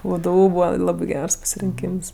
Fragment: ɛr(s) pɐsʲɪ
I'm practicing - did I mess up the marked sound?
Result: no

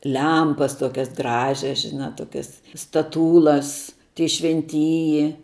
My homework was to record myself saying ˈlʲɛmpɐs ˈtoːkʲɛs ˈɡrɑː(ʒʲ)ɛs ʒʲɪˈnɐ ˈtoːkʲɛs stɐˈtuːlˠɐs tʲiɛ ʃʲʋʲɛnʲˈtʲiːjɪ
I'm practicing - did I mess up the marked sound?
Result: no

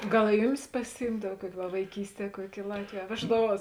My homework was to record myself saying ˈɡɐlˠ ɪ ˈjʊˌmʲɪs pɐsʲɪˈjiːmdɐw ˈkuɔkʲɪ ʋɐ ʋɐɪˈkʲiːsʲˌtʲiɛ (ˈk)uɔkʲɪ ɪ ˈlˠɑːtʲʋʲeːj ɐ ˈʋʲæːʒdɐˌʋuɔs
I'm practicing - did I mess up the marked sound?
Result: no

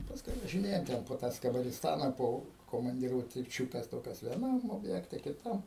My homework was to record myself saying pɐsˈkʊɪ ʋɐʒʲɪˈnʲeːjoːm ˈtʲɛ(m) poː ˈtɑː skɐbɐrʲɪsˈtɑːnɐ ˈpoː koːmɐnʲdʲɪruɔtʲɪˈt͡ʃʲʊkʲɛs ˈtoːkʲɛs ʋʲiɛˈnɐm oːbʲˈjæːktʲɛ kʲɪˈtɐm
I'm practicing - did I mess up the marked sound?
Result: yes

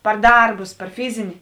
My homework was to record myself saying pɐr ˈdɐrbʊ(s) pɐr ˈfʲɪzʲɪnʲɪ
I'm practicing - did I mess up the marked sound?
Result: no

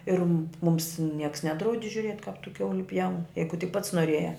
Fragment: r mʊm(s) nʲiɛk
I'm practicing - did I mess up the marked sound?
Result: no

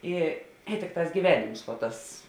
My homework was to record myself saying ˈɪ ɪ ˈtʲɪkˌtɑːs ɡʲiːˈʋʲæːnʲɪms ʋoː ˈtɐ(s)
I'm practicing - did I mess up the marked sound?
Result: no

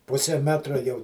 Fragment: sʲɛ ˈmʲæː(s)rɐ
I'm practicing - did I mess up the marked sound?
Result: yes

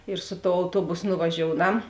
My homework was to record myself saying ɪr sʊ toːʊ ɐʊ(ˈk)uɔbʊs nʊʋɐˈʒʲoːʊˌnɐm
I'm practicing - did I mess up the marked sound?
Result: yes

